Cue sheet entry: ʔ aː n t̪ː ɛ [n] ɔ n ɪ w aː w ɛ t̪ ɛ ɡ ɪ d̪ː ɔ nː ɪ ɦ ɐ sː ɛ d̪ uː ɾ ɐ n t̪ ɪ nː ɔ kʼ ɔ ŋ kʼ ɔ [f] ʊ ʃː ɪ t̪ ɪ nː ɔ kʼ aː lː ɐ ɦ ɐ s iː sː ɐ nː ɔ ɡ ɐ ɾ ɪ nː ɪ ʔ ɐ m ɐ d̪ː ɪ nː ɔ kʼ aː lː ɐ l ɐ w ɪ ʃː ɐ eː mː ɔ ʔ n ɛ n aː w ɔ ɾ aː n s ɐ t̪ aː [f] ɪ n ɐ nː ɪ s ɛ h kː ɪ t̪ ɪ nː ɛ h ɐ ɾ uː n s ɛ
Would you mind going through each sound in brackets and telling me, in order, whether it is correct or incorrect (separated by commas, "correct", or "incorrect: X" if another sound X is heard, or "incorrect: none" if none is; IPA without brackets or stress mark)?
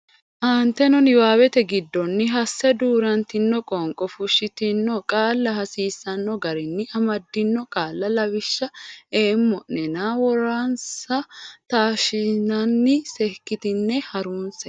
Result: correct, correct, incorrect: ʃ